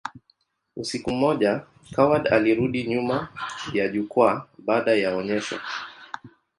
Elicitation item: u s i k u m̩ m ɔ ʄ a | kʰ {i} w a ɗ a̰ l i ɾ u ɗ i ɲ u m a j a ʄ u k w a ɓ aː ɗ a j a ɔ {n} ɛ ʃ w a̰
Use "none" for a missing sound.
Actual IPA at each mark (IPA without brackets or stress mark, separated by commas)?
a, ɲ